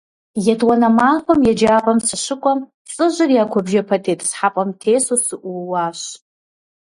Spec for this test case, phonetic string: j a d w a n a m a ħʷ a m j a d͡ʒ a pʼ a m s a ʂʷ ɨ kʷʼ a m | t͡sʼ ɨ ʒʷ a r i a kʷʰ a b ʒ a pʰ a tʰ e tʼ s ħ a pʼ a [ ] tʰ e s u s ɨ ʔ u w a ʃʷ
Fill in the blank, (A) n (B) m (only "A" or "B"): B